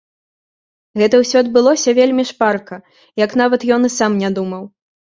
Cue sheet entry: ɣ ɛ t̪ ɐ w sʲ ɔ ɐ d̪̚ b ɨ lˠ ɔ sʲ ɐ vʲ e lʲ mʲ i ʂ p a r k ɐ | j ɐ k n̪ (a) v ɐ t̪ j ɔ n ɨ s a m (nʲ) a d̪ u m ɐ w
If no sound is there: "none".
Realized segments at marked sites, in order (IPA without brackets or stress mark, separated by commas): a, nʲ